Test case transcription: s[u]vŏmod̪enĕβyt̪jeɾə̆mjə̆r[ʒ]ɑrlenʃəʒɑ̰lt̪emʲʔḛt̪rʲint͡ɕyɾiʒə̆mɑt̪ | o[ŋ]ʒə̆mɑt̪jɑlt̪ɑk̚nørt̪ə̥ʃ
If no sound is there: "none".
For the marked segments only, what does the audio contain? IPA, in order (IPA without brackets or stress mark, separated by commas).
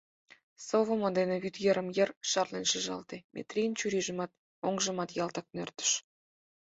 o, ʃ, ŋ